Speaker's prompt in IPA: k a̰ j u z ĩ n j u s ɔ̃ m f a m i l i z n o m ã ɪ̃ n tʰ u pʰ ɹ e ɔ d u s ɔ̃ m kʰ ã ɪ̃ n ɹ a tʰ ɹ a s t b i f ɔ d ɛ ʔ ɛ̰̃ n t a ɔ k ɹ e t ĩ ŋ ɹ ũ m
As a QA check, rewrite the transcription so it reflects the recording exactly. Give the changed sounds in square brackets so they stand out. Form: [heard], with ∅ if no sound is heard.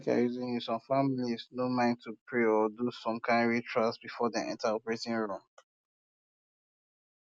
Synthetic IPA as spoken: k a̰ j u z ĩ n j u s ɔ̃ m f a m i l i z n o m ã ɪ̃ n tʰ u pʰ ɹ e ɔ d u s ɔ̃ m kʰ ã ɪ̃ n ɹ [i] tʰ ɹ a s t b i f ɔ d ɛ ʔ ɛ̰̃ n t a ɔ [p] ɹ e t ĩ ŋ ɹ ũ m